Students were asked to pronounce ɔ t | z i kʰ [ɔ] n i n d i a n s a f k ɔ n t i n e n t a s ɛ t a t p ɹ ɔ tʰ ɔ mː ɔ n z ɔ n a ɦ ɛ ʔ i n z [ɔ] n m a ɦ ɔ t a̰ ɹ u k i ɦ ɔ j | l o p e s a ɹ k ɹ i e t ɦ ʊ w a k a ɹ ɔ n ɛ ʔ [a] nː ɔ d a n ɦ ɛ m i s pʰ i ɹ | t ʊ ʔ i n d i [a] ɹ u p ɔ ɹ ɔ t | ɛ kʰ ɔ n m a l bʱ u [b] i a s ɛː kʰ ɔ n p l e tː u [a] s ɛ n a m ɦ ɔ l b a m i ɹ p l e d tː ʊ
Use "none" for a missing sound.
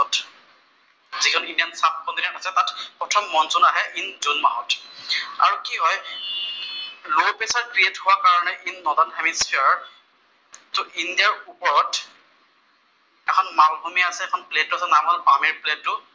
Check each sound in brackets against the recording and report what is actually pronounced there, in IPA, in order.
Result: ɔ, u, i, a, m, a

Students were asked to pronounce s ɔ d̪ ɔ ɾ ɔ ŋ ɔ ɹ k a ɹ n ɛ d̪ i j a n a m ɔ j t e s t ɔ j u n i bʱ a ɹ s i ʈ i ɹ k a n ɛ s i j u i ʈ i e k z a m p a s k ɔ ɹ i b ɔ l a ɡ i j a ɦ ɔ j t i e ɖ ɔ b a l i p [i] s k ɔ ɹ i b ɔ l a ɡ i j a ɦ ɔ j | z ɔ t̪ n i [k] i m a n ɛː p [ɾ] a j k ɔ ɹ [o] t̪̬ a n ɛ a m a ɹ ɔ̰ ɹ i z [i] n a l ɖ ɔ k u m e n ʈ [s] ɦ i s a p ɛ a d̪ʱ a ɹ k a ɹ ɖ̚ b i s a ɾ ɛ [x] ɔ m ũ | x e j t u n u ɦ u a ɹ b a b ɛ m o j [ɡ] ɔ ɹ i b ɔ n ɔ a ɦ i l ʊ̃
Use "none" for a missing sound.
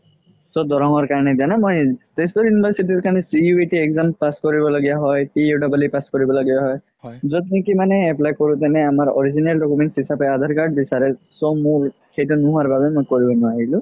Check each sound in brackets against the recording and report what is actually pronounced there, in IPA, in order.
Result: a, k, l, u, i, s, s, k

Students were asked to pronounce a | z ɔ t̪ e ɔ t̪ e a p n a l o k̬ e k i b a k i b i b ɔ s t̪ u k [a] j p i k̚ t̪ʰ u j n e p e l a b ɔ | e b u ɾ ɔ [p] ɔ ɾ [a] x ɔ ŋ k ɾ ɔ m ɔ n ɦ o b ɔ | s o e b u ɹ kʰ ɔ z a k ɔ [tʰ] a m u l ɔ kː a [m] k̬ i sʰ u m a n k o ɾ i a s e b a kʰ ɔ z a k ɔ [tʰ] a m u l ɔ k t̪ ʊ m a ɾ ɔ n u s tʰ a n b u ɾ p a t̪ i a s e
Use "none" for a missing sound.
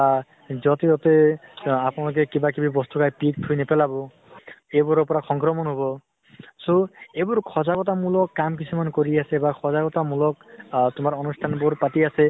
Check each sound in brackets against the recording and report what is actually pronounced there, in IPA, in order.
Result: a, p, a, t, m, t

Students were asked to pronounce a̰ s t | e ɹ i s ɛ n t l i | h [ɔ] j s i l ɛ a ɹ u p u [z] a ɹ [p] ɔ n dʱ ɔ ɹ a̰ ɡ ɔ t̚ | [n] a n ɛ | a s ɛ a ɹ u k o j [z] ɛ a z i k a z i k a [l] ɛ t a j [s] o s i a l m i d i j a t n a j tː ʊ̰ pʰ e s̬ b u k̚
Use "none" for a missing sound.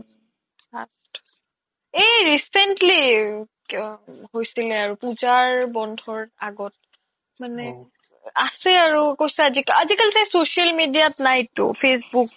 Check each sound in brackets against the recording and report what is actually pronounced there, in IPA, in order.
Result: o, z, b, m, s, l, s

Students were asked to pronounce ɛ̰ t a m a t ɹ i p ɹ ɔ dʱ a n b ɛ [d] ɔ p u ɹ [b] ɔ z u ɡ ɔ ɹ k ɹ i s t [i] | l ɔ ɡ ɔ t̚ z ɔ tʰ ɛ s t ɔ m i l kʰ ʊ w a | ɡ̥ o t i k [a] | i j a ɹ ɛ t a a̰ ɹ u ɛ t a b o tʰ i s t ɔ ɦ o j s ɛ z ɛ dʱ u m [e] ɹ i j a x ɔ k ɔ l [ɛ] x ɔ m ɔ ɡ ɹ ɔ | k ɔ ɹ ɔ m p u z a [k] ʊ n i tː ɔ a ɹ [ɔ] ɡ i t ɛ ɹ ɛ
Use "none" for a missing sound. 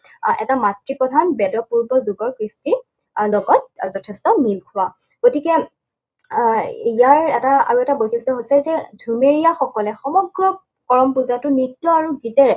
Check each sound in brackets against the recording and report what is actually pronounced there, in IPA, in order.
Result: d, b, i, ɛ, e, ɛ, t, u

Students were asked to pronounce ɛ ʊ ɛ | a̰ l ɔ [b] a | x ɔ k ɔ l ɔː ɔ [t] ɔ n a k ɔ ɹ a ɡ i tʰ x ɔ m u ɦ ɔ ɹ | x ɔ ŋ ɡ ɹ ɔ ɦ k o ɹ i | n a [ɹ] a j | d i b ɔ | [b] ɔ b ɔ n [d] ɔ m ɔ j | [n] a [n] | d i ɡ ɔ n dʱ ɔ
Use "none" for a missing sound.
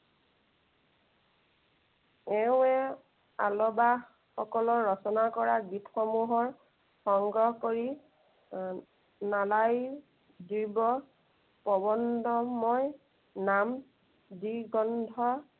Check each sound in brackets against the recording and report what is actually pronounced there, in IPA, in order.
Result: b, s, l, p, d, n, m

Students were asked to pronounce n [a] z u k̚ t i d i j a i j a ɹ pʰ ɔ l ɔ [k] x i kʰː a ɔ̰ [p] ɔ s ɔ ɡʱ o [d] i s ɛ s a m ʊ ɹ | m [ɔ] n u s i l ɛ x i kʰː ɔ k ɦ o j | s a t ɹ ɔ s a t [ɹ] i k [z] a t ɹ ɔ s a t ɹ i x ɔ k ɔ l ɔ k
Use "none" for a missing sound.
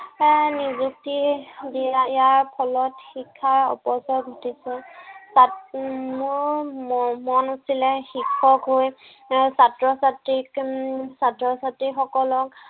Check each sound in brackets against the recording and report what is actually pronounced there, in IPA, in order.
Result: i, t, p, t, ɔ, ɹ, s

